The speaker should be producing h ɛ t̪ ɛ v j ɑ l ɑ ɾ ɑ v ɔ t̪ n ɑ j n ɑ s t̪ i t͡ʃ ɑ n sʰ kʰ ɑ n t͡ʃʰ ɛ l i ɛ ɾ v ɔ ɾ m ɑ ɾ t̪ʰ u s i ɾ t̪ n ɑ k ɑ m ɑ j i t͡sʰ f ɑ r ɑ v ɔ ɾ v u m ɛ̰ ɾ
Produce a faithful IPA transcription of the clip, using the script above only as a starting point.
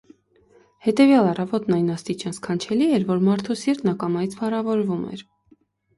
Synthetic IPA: h ɛ t̪ ɛ v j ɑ l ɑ r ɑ v ɔ t̪ n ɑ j n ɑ s t̪ i t͡ʃ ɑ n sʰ kʰ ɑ n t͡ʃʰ ɛ l i ɛ ɾ v ɔ ɾ m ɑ ɾ t̪ʰ u s i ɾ t̪ n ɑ k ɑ m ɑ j i t͡sʰ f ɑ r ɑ v ɔ ɾ v u m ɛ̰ ɾ